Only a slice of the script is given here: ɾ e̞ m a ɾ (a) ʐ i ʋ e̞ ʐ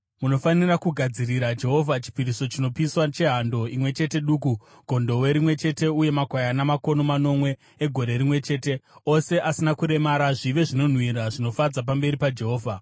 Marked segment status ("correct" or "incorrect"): correct